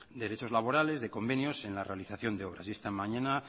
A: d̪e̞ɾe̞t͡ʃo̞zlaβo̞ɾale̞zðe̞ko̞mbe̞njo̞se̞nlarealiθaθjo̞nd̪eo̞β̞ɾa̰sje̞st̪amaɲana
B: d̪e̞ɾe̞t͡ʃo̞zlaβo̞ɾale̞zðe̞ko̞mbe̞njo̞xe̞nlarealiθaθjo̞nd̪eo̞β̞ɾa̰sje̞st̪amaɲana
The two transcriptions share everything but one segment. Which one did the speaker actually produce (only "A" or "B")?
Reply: A